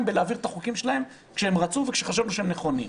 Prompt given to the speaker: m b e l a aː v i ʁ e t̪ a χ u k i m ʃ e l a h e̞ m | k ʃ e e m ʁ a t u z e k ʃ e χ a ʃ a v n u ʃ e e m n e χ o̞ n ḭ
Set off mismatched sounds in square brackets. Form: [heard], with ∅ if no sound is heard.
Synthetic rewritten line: m b e l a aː v i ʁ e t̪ a χ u k i m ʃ e l a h e̞ m | k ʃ e e m ʁ a [t͡s] u [v] e k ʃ e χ a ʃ a v n u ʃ e e m n e χ o̞ n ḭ